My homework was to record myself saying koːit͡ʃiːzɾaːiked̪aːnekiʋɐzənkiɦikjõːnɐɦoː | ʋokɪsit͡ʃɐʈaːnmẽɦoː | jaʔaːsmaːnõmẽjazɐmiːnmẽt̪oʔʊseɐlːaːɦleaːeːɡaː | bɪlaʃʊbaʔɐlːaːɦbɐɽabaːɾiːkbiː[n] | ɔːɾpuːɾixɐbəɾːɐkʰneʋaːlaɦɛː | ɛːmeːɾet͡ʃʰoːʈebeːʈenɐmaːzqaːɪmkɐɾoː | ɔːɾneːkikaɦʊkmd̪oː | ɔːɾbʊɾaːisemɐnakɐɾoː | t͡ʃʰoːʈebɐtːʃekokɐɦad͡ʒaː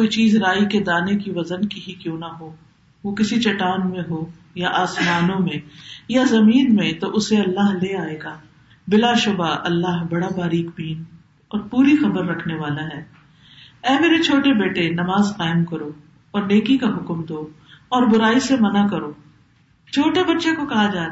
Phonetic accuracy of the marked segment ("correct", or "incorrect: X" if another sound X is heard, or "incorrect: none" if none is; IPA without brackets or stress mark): correct